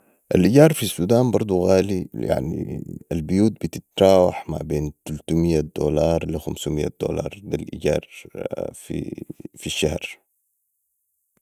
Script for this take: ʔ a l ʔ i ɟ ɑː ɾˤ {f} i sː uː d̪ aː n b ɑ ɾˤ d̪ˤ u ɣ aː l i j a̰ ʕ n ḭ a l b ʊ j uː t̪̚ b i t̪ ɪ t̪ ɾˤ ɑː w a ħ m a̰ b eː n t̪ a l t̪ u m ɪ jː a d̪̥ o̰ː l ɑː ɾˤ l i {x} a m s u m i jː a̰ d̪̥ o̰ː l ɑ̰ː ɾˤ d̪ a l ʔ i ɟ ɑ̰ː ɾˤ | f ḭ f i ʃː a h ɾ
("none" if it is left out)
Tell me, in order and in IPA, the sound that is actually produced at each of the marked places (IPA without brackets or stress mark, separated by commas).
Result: f, x